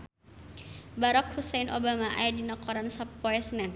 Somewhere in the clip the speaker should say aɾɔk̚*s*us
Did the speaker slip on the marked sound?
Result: yes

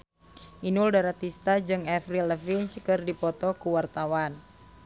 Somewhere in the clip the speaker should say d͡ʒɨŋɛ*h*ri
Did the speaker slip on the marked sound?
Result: yes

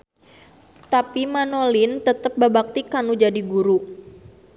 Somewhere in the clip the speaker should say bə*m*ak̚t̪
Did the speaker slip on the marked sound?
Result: yes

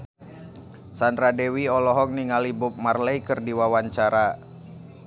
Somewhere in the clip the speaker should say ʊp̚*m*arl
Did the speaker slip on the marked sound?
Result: no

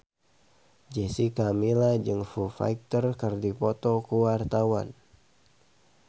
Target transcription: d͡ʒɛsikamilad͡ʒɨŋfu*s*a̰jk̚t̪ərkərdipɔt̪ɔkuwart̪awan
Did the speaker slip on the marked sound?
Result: yes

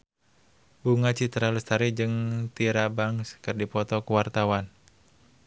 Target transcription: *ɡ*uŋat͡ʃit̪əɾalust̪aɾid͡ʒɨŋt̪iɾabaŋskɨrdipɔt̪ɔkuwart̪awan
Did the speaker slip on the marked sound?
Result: yes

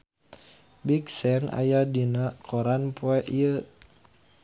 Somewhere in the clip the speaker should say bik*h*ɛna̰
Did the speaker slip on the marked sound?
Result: yes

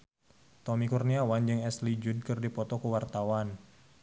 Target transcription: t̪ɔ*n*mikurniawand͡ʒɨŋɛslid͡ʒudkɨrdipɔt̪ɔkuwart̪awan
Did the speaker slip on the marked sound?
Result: yes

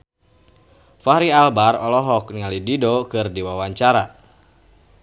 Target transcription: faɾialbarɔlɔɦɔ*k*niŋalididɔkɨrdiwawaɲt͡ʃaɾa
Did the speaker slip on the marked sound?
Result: no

